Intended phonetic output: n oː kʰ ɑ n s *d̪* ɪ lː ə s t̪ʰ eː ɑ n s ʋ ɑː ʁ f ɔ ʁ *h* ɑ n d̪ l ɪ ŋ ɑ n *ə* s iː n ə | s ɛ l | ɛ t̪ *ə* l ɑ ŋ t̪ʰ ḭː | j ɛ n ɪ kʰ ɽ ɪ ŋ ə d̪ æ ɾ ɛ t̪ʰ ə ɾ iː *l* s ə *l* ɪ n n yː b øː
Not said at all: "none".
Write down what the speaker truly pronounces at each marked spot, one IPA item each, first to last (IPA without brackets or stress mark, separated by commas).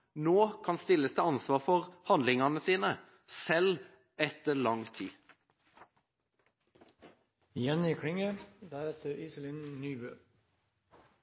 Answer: t̪, h, ə, ə, none, l